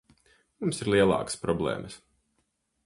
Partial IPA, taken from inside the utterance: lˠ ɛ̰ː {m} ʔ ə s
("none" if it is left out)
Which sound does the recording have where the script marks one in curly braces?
m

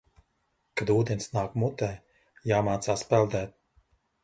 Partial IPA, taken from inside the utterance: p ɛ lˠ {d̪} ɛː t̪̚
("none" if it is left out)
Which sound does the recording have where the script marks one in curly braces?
d̪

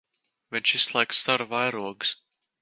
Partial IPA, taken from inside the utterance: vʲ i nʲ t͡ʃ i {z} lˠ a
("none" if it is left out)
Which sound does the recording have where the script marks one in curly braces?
s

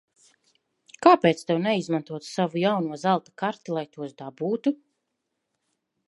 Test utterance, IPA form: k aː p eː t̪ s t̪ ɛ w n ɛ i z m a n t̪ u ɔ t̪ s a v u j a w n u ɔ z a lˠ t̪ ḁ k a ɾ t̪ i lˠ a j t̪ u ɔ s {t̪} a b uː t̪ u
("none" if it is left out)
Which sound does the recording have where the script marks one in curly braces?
d̪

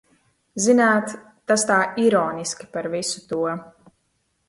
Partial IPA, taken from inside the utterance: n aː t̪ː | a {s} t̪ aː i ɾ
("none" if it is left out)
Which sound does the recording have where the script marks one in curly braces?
s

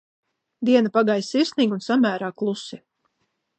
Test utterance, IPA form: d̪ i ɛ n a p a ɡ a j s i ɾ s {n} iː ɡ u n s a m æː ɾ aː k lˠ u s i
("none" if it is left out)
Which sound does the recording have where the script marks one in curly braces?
n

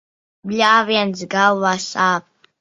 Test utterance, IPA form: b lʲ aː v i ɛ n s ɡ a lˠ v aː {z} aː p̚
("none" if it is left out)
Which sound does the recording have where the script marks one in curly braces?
s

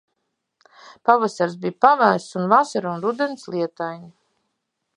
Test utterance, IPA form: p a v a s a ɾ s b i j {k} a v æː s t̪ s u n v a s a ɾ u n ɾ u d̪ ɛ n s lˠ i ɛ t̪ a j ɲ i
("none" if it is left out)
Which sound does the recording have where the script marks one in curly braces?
p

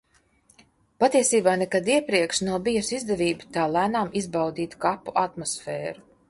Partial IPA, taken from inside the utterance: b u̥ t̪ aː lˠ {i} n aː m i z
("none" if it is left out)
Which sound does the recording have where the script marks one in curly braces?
æ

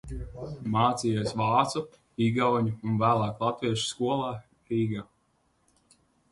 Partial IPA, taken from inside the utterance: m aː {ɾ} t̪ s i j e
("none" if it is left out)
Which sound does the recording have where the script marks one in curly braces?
none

